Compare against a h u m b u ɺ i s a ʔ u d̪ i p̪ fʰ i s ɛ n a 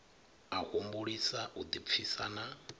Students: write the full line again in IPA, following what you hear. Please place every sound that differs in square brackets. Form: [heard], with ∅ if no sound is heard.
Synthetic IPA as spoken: a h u m b u ɺ i s a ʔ u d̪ i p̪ fʰ i s [a] n a